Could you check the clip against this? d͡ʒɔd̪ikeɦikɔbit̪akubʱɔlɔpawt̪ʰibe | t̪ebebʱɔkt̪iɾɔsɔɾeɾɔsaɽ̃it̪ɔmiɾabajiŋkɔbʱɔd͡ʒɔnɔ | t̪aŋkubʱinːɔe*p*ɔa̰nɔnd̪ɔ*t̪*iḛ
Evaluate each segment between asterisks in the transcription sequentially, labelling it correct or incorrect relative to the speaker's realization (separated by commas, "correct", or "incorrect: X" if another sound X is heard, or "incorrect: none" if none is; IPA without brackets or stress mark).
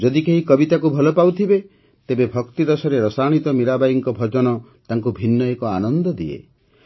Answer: incorrect: k, incorrect: d̪